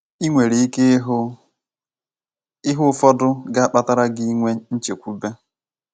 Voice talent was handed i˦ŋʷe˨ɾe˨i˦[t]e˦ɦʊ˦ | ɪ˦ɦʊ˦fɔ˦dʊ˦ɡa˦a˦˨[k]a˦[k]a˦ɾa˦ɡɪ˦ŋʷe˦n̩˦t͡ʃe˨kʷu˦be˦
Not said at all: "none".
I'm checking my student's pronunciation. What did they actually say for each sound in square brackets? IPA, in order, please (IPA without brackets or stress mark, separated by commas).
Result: k, k͡p, t